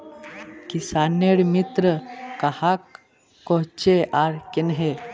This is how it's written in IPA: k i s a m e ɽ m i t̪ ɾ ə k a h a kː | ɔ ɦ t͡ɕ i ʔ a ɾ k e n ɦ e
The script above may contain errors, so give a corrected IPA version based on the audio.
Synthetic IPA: k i s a n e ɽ m i t̪ ɾ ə k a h a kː | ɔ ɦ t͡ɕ e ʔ a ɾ k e n ɦ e